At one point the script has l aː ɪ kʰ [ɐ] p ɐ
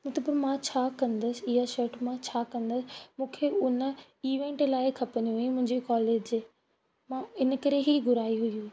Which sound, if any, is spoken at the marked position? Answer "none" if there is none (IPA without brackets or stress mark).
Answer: ɐ